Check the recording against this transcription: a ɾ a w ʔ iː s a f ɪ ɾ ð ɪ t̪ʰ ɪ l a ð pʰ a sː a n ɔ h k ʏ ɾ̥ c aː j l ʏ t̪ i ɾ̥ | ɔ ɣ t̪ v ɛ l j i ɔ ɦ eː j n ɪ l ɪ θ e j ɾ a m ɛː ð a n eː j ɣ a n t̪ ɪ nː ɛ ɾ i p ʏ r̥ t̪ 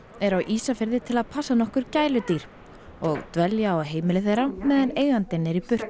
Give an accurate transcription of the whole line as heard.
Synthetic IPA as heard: ɛ ɾ a w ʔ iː s a f ɪ ɾ ð ɪ t̪ʰ ɪ l a ð pʰ a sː a n ɔ h k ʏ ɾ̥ c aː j l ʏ t̪ i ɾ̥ | ɔ ɣ t̪ v ɛ l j a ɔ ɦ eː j m ɪ l ɪ θ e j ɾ a m ɛː ð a n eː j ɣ a n t̪ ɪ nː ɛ ɾ i p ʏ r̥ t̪